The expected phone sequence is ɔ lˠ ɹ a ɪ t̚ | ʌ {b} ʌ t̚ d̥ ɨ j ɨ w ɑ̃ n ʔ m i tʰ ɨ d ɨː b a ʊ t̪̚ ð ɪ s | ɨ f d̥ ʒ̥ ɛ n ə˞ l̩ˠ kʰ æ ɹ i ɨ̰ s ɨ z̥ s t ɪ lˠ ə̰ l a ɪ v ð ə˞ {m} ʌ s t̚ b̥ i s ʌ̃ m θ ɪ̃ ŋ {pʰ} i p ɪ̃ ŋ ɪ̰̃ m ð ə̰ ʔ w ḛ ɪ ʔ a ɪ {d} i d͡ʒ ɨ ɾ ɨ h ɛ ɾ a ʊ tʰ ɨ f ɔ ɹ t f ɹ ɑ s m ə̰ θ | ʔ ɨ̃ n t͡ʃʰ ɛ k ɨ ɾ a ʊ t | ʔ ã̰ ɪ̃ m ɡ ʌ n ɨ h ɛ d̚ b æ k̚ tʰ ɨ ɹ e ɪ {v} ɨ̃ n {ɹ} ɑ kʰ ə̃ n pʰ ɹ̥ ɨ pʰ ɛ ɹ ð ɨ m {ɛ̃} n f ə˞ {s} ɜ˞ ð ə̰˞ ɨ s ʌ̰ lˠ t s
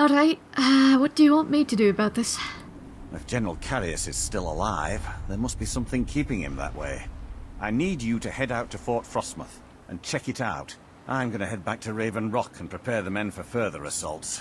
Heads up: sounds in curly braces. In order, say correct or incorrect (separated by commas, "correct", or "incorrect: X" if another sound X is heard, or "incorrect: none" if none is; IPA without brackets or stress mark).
incorrect: w, correct, incorrect: kʰ, incorrect: n, correct, correct, correct, incorrect: f